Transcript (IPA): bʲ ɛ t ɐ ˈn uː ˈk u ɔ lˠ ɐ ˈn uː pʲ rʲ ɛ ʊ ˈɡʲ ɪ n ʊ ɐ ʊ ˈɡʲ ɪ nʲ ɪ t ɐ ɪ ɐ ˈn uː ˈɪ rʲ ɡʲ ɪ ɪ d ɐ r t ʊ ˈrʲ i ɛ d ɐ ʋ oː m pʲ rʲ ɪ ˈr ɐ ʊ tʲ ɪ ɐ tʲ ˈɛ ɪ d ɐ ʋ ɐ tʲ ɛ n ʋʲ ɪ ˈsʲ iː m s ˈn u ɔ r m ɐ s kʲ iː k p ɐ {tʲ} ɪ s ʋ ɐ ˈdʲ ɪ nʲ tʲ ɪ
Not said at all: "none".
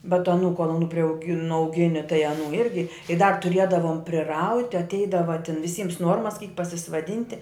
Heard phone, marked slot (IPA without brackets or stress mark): sʲ